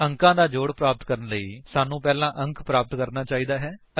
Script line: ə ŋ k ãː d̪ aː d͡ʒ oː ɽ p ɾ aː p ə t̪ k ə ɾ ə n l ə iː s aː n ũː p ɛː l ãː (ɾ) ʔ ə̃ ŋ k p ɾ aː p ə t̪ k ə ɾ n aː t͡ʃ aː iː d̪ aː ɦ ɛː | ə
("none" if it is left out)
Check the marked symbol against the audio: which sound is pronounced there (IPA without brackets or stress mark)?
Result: none